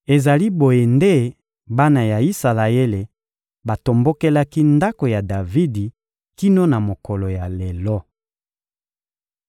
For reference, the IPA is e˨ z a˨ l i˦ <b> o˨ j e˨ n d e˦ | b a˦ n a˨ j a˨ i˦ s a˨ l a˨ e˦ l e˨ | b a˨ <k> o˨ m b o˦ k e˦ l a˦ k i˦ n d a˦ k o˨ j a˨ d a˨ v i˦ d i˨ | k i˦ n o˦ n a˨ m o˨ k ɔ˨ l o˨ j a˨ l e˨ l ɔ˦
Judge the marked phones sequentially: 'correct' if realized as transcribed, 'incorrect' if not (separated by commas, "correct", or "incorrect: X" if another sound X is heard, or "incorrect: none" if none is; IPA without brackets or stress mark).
correct, incorrect: t